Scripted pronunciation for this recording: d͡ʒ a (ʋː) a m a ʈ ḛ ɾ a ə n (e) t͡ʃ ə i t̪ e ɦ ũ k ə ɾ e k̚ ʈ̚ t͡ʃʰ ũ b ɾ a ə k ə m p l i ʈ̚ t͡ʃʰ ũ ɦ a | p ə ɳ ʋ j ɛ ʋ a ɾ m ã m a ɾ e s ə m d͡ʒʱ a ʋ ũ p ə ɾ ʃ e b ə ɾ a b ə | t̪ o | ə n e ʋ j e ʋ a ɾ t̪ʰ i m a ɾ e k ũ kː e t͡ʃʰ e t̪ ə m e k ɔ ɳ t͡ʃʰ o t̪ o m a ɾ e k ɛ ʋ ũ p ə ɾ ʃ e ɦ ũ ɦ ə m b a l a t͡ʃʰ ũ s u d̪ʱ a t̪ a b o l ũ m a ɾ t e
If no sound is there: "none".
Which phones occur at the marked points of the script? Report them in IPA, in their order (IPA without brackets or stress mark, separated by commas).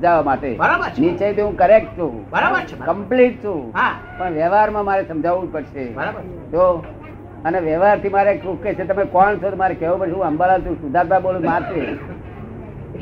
ʋ, i